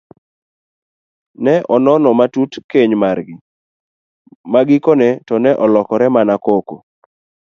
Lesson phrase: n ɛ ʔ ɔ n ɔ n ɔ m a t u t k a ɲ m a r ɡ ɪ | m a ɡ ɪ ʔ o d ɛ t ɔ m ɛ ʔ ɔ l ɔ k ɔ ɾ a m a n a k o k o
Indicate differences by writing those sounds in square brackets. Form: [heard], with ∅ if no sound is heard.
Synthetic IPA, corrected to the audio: n ɛ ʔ ɔ n ɔ n ɔ m a t u t k [e] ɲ m a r ɡ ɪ | m a ɡ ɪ [k] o [n] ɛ t ɔ [n] ɛ ʔ ɔ l ɔ k ɔ ɾ [ɛ] m a n a k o k o

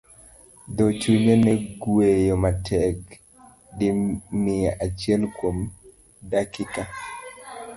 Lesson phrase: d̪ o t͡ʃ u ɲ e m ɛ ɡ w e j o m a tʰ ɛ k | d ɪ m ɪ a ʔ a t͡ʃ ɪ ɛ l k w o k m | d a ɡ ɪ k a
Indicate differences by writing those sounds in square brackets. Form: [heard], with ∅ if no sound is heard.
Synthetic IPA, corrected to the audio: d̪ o t͡ʃ u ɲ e [n] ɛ ɡ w e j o m a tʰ ɛ k | d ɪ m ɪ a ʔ a t͡ʃ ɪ ɛ l k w o [∅] m | d a [k] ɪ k a

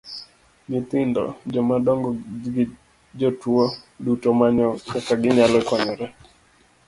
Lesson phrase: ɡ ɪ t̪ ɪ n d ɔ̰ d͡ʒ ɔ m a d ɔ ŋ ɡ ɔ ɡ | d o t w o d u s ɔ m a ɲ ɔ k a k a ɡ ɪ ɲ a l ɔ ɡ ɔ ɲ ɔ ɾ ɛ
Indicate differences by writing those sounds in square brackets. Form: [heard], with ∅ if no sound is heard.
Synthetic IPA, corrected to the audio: ɡ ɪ t̪ ɪ n d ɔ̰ d͡ʒ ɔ m a d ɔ ŋ ɡ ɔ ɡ | [d͡ʒ] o t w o d u [t] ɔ m a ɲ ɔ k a k a ɡ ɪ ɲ a l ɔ [k] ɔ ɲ ɔ ɾ ɛ

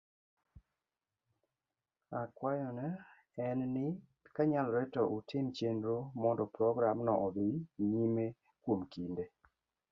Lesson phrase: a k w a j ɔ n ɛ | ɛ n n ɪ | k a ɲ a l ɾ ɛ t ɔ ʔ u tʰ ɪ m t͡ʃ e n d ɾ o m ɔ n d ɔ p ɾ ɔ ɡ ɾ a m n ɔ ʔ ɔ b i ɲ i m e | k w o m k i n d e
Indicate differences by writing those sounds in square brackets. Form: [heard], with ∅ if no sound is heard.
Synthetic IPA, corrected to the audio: a k w a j ɔ n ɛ | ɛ n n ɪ | k a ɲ a l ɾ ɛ t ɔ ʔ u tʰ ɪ m t͡ʃ e n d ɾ o m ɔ n d ɔ p ɾ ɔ ɡ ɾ a m n ɔ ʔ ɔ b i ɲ i m e | k w o m k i n d e

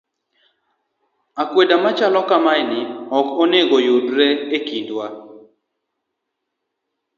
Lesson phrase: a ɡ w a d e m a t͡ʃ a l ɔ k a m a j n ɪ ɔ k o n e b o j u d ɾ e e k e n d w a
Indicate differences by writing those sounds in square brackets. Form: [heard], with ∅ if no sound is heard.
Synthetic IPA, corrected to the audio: a [k] w [e] d [a] m a t͡ʃ a l ɔ k a m a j n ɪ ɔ k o n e [ɡ] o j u d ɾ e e k [i] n d w a

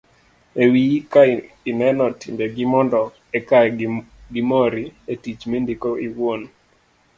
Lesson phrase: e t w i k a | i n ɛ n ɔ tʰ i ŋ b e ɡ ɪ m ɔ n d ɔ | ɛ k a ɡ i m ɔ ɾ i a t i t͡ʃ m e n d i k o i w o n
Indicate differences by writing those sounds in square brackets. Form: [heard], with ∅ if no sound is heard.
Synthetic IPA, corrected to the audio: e [∅] w i k a | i n ɛ n ɔ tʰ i [m] b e ɡ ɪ m ɔ n d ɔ | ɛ k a ɡ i m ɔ ɾ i [e] t i t͡ʃ m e n d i k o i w o n

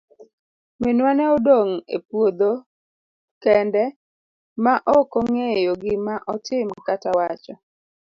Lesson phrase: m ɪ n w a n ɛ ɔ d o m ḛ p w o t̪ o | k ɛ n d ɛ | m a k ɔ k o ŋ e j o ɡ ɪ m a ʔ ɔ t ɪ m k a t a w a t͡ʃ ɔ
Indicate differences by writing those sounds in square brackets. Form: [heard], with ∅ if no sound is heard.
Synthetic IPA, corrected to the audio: m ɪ n w a n ɛ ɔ d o [ŋ] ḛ p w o [d̪] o | k ɛ n d ɛ | m a [ʔ] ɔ k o ŋ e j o ɡ ɪ m a ʔ ɔ t ɪ m k a t a w a t͡ʃ ɔ

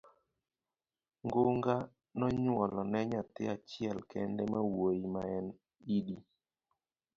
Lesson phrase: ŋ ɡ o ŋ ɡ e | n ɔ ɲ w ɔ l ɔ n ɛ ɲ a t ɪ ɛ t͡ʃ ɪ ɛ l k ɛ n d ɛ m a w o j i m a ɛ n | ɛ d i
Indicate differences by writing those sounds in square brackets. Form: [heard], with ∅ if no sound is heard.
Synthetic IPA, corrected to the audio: ŋ ɡ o ŋ ɡ [a] | n ɔ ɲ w ɔ l ɔ n ɛ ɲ a t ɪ [a] t͡ʃ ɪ ɛ l k ɛ n d ɛ m a w o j i m a ɛ n | [i] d i

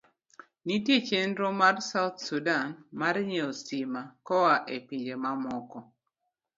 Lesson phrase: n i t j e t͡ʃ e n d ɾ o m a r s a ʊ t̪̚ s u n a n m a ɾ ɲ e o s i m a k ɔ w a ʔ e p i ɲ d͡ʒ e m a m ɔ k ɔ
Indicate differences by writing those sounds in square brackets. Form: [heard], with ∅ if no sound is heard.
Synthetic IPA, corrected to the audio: n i t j e t͡ʃ e n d ɾ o m a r s a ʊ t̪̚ s u [d] a n m a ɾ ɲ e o s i m a k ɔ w a ʔ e p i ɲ d͡ʒ e m a m ɔ k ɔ

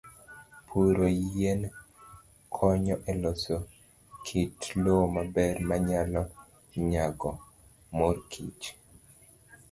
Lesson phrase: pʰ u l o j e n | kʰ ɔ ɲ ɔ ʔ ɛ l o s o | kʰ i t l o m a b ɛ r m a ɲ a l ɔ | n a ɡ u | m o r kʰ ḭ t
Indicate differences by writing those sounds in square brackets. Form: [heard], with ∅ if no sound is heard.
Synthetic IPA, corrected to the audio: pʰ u [ɾ] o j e n | kʰ ɔ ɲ ɔ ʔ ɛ l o s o | kʰ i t l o m a b ɛ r m a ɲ a l ɔ | [ɲ] a ɡ [ɔ] | m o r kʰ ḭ [t͡ʃ]

